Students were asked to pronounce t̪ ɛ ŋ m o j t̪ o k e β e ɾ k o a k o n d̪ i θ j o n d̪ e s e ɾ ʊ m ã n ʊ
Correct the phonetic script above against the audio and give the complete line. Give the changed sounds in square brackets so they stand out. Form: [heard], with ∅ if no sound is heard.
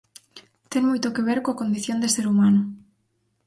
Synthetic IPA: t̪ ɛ ŋ m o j t̪ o k e β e ɾ k o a k o n d̪ i θ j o n d̪ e s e ɾ [u] m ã n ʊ